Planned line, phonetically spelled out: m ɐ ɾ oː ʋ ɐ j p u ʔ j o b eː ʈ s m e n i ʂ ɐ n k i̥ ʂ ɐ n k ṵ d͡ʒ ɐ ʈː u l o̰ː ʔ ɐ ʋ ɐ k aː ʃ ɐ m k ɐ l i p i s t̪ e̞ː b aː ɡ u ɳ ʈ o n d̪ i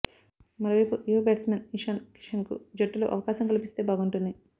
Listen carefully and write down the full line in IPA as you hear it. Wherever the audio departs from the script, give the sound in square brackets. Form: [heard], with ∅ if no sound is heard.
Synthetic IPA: m ɐ ɾ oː ʋ ɐ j p u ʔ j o b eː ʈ s m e n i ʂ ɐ n k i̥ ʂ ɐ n k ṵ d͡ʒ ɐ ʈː u l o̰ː ʔ ɐ ʋ ɐ k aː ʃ ɐ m k ɐ l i p i s t̪ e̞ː b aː ɡ u ɳ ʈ [u] n d̪ i